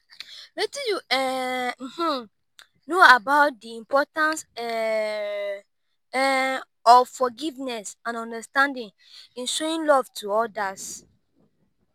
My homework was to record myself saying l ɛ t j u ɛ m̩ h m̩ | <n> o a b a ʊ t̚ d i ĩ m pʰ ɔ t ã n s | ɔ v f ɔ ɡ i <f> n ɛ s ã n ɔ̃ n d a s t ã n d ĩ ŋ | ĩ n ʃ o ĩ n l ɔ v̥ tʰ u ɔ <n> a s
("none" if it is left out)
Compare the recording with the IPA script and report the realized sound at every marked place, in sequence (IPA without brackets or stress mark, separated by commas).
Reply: n, v, d